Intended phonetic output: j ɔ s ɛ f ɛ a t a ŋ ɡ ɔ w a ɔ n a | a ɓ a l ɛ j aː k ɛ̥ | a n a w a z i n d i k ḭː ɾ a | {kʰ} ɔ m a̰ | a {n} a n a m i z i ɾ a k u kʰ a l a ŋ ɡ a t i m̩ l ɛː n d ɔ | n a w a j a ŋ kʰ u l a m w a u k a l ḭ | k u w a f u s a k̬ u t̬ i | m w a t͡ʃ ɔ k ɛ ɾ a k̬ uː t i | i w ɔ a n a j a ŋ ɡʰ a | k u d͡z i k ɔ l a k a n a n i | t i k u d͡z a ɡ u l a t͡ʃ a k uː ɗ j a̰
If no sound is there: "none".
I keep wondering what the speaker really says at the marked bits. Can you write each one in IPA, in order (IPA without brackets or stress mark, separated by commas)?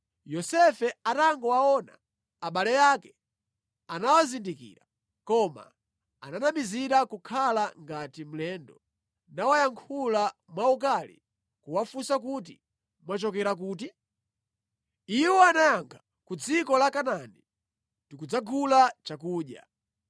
k, n